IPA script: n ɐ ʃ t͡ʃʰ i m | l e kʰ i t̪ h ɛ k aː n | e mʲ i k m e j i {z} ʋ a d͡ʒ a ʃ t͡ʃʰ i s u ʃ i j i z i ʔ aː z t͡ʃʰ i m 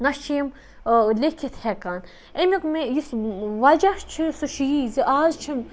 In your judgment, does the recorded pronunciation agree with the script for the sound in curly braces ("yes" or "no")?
no